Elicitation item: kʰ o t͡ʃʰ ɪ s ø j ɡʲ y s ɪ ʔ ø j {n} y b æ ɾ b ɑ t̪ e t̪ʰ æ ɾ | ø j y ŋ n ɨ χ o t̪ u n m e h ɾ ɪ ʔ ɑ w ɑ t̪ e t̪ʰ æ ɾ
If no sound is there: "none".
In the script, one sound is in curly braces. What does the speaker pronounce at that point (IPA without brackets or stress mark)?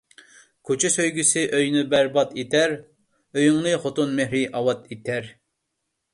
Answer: n